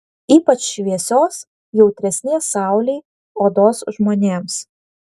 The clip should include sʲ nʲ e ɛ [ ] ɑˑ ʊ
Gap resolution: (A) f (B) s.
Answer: B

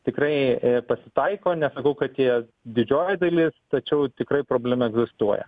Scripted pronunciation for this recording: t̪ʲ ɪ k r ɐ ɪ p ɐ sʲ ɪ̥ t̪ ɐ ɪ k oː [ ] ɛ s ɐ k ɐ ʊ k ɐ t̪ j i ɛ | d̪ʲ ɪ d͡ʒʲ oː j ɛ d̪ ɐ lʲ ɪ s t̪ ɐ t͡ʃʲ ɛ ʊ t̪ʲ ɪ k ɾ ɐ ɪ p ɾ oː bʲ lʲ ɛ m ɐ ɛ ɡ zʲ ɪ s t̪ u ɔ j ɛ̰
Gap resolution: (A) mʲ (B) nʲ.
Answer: B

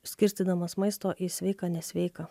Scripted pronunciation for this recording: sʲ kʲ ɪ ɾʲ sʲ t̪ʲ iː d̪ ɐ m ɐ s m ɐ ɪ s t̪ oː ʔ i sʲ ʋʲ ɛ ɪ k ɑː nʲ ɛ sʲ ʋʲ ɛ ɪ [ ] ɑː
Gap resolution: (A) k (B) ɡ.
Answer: A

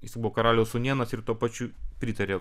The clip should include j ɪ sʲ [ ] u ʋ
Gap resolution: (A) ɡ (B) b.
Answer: B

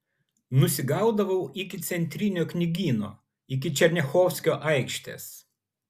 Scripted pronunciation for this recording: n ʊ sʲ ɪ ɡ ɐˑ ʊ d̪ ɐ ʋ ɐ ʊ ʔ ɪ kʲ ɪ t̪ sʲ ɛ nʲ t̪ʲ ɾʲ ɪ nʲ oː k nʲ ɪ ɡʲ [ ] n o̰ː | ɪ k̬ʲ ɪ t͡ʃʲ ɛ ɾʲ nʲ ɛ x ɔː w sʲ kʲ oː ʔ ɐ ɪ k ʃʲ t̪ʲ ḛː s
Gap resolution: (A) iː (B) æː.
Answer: A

